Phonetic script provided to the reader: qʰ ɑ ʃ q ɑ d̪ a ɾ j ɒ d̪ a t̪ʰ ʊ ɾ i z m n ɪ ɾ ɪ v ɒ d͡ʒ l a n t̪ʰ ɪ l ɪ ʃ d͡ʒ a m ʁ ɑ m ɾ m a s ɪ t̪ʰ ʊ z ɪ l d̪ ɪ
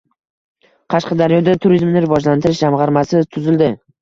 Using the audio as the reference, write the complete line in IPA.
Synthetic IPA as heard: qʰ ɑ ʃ q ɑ d̪ a ɾ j ɒ d̪ a t̪ʰ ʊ ɾ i z m n ɪ ɾ ɪ v ɒ d͡ʒ l a n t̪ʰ ɪ ɾ ɪ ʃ d͡ʒ a m ʁ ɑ ɾ m a s ɪ t̪ʰ ʊ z ɪ l d̪ ɪ